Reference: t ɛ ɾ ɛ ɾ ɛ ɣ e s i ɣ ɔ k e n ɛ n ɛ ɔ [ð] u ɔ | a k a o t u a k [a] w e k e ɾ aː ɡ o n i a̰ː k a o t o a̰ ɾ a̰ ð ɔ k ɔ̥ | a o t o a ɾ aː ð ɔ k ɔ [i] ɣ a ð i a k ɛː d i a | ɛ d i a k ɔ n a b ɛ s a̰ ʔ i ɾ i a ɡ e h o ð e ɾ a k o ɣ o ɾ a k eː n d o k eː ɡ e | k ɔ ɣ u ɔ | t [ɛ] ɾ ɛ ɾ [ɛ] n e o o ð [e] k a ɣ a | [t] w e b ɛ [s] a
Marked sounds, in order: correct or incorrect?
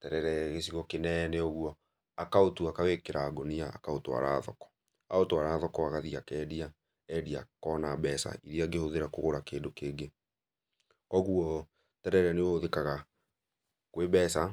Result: incorrect: ɣ, correct, incorrect: a, correct, correct, correct, incorrect: k, correct

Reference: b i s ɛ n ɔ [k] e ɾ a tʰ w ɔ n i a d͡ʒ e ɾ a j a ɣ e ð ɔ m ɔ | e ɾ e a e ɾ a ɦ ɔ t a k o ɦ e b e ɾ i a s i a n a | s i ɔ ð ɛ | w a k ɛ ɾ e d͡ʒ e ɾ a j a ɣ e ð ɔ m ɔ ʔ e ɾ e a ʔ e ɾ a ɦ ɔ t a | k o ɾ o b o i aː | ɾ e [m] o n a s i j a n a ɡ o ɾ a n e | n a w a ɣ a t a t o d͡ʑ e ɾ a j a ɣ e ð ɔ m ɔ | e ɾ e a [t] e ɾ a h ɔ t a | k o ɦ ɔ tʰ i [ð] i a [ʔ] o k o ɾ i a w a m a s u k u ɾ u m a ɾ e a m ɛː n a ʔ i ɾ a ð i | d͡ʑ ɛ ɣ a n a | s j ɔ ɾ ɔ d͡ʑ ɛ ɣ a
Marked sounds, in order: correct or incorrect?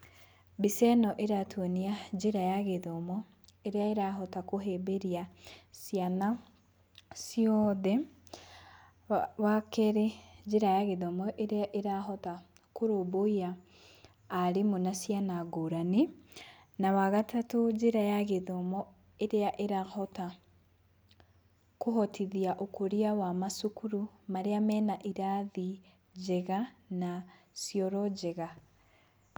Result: incorrect: ʔ, correct, incorrect: ʔ, correct, correct

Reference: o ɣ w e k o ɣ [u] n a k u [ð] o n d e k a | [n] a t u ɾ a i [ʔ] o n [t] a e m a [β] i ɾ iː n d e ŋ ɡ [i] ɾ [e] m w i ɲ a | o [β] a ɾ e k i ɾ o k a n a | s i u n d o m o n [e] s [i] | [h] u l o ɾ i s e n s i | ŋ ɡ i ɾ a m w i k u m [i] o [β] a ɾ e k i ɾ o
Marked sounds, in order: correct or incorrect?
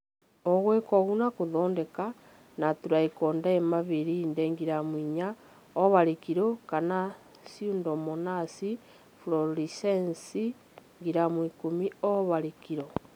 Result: correct, correct, correct, incorrect: k, incorrect: d, correct, correct, incorrect: a, correct, incorrect: a, correct, incorrect: f, correct, correct

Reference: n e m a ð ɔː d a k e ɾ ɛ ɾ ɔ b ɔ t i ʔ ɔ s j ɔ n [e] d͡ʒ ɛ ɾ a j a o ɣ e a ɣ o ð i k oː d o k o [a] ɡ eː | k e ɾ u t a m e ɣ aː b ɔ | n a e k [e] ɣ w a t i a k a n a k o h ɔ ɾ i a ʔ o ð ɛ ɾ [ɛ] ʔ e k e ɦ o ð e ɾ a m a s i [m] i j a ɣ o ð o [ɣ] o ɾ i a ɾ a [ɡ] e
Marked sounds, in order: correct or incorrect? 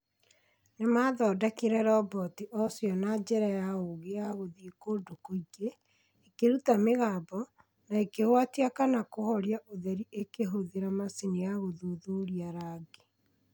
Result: incorrect: a, incorrect: i, correct, incorrect: i, incorrect: n, incorrect: ð, correct

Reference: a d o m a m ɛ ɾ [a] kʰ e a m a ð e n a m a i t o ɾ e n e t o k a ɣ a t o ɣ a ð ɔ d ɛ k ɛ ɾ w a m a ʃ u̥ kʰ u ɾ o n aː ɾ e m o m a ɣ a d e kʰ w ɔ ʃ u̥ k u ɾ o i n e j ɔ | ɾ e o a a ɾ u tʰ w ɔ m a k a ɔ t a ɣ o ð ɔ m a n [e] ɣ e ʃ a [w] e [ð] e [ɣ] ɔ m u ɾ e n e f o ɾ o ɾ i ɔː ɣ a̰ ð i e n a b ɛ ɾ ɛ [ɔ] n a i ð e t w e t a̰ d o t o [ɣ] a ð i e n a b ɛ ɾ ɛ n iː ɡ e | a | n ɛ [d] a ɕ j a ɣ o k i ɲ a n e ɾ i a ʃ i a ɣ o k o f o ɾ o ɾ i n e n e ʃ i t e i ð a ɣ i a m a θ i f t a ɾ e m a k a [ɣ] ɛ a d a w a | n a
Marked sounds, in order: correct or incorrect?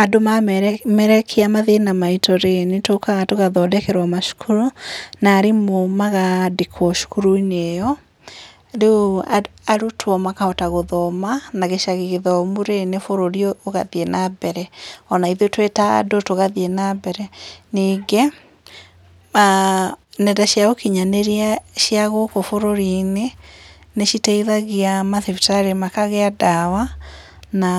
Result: incorrect: ɛ, incorrect: a, incorrect: ɣ, incorrect: ɣ, incorrect: ð, correct, correct, correct, correct

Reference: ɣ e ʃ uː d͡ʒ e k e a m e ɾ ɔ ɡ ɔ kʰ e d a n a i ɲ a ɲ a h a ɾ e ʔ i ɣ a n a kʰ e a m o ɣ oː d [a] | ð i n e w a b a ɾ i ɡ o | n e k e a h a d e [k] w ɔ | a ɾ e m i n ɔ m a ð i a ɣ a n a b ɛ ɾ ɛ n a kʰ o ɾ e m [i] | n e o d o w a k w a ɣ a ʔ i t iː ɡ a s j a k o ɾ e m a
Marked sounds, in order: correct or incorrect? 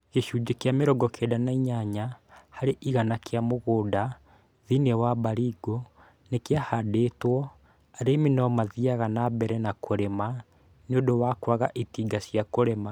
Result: correct, incorrect: t, incorrect: a

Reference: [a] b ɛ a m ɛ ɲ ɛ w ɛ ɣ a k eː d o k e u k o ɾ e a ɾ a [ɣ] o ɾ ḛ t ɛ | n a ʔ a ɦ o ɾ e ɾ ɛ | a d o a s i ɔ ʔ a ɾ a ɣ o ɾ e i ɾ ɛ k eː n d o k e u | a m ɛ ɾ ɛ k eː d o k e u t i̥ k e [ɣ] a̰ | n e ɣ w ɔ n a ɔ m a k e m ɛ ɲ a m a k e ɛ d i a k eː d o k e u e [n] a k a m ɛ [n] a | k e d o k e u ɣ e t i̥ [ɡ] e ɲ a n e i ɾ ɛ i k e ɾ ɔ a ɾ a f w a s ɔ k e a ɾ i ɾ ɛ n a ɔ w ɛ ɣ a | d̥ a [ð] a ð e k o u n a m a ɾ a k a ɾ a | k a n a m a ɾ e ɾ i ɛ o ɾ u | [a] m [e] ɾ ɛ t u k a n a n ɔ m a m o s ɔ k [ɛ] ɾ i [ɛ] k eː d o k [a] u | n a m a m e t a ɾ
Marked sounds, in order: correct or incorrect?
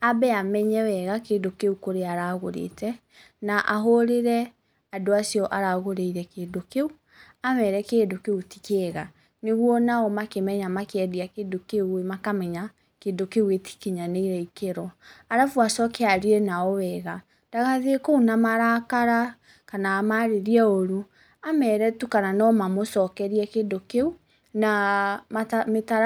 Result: correct, correct, correct, incorrect: m, incorrect: ɲ, incorrect: k, incorrect: ɣ, correct, incorrect: ɛ, correct, correct, incorrect: e

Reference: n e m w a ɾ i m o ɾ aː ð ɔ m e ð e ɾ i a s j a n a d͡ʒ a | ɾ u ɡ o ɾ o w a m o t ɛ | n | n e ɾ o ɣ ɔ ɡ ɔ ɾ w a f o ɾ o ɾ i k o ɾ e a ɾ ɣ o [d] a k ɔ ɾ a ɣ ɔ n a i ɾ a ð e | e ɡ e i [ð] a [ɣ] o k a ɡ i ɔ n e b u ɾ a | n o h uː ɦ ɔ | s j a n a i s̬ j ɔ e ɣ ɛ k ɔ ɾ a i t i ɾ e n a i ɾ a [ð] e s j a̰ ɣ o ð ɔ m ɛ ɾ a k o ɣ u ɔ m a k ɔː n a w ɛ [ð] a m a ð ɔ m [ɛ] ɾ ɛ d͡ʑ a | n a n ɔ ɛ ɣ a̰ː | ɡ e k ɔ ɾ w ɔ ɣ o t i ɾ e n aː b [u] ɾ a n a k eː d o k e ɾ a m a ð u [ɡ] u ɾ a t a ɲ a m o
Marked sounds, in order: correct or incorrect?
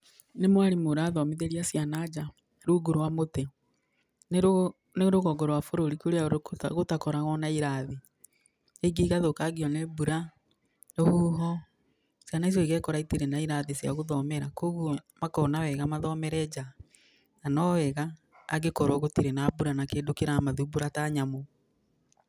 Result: incorrect: t, incorrect: ɣ, incorrect: ð, correct, incorrect: ɣ, correct, correct, incorrect: b

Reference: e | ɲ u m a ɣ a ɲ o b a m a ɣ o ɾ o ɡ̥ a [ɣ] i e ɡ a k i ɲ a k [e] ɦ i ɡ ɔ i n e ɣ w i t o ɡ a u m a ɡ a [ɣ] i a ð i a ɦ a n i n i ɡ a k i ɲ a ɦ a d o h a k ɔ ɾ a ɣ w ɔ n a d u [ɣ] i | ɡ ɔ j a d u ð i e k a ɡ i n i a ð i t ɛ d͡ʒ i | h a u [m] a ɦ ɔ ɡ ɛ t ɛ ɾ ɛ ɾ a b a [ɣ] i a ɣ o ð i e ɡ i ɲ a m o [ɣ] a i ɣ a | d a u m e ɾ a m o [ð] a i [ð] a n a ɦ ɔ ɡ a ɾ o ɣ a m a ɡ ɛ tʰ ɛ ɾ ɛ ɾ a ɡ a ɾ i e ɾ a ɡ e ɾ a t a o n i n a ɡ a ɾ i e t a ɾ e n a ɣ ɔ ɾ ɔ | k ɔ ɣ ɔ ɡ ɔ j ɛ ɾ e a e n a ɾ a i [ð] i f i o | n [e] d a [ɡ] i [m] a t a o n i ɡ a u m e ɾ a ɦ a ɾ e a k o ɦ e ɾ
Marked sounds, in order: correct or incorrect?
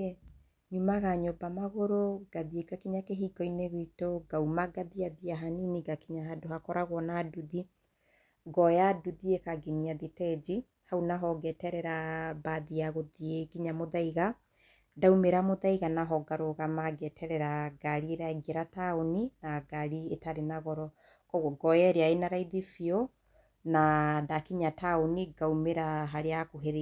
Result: incorrect: ð, correct, incorrect: ð, incorrect: ð, incorrect: n, incorrect: ð, incorrect: ð, correct, incorrect: ɣ, correct, incorrect: a, incorrect: k, incorrect: ɲ

